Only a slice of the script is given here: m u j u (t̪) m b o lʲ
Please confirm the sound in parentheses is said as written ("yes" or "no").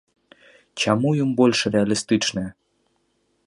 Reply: no